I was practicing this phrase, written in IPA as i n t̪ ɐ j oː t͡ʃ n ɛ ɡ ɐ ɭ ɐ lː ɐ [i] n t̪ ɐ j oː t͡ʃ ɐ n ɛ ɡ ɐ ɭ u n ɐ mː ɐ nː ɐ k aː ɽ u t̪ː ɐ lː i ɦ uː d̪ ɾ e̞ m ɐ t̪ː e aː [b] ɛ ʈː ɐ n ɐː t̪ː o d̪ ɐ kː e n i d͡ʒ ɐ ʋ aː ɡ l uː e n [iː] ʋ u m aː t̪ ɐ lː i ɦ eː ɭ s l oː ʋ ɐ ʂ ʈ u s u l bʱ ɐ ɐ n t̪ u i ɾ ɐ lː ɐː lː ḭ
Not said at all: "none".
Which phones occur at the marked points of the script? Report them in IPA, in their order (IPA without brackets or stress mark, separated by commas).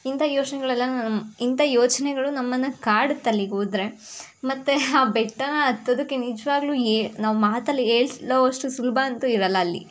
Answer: i, b, aː